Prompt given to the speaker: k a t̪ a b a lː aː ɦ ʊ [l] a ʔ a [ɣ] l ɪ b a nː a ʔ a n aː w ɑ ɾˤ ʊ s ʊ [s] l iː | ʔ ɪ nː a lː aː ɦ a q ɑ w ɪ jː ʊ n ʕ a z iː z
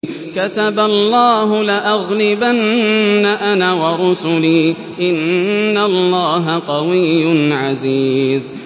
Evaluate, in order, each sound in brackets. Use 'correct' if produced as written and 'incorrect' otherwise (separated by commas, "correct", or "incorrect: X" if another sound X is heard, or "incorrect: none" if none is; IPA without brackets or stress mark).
correct, correct, incorrect: none